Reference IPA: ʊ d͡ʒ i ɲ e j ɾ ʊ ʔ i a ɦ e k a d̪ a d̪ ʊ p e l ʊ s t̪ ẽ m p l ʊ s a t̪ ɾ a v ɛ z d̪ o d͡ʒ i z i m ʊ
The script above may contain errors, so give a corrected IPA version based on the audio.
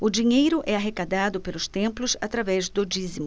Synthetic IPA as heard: ʊ d͡ʒ i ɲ e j ɾ ʊ ʔ ɛ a ɦ e k a d̪ a d̪ ʊ p e l ʊ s t̪ ẽ m p l ʊ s a t̪ ɾ a v ɛ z d̪ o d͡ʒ i z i m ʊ